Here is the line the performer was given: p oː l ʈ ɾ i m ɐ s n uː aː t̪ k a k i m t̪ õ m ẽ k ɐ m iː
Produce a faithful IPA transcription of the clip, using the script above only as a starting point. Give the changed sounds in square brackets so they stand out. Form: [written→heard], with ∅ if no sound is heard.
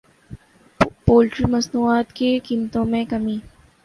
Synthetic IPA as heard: p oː l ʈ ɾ i m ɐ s n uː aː t̪ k [a→e] k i m t̪ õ m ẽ k ɐ m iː